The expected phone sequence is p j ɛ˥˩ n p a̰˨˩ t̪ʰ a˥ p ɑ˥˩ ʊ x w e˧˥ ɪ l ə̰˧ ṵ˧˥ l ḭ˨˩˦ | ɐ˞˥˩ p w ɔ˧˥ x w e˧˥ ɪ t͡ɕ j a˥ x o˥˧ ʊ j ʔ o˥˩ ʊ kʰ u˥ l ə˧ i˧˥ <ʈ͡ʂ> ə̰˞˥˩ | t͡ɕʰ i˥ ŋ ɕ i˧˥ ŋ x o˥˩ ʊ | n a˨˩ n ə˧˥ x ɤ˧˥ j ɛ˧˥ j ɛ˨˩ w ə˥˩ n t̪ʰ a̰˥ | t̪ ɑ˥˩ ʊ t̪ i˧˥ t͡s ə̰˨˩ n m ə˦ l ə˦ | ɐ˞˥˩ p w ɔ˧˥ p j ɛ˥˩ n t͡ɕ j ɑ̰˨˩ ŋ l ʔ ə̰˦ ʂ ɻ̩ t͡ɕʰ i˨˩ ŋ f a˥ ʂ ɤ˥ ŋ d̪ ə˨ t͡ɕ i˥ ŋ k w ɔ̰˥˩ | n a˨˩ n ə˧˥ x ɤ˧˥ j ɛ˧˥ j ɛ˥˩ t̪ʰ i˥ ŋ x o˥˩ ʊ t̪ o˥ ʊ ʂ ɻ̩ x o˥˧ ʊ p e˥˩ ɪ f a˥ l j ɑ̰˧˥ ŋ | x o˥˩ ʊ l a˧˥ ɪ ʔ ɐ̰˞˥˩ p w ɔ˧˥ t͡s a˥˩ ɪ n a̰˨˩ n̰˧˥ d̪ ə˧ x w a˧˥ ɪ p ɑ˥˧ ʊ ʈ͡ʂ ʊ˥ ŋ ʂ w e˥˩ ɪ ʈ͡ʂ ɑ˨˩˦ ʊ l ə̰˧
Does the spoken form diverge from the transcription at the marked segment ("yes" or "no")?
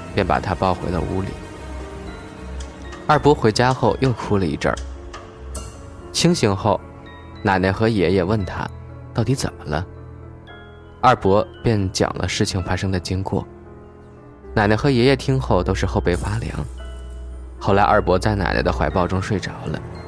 no